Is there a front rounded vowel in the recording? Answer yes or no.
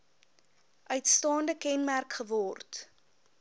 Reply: yes